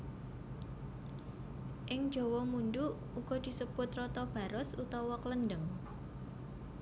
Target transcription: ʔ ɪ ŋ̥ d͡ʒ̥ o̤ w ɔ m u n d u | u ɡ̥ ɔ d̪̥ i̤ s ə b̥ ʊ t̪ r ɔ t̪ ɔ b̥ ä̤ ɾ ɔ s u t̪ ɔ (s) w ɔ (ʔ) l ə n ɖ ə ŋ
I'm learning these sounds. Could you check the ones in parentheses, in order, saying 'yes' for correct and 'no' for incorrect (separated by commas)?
no, no